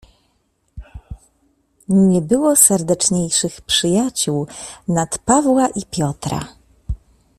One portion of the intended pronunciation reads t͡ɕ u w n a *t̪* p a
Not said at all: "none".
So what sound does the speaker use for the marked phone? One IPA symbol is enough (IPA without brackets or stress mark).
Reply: t̪